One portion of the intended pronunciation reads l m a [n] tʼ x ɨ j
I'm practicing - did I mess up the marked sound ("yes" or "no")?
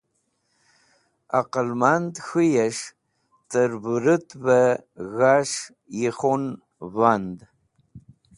no